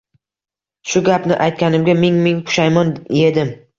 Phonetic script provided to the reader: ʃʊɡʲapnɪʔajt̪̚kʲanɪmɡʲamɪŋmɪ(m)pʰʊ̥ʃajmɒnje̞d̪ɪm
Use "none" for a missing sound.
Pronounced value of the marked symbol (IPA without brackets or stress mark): ŋ